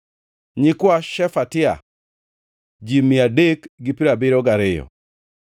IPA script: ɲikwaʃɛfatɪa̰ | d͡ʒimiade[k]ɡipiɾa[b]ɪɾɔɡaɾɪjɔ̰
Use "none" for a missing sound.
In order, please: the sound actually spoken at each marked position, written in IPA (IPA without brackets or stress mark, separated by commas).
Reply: k, b